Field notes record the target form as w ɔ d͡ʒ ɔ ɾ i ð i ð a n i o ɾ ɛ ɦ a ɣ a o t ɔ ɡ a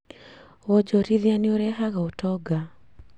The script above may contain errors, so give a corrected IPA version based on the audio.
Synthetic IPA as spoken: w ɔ d͡ʒ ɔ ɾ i ð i a n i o ɾ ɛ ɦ a ɣ a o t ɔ ɡ a